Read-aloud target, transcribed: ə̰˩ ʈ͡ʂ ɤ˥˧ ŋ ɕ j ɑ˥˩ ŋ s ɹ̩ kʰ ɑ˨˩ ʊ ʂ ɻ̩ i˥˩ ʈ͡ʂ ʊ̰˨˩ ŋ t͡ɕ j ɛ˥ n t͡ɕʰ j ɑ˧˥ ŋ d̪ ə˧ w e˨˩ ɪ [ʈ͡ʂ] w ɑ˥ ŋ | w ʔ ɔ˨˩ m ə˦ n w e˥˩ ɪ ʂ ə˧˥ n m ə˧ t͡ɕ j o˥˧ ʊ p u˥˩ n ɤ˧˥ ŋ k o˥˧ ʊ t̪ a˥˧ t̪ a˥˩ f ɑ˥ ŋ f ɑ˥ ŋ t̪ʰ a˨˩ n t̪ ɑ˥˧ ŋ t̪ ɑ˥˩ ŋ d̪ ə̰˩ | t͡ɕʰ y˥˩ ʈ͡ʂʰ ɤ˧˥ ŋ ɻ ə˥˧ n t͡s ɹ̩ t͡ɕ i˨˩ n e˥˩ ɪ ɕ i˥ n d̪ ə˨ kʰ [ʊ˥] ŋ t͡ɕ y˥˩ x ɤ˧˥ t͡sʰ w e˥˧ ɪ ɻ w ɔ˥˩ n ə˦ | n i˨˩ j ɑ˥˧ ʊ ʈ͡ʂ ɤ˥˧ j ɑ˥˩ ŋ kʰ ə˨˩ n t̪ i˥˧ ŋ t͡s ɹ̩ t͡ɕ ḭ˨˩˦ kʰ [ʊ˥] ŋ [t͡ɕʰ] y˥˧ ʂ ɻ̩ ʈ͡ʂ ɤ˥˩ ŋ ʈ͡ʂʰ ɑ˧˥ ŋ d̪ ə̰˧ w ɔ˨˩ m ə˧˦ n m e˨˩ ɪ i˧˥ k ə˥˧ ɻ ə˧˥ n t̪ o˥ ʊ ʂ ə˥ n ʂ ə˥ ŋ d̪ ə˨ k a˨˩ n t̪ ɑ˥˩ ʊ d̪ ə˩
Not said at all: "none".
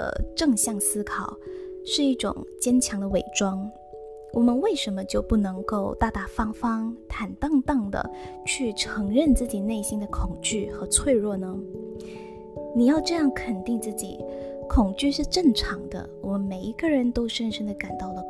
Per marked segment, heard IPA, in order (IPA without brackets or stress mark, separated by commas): ʈ͡ʂ, ʊ˨˩, ʊ˨˩, t͡ɕ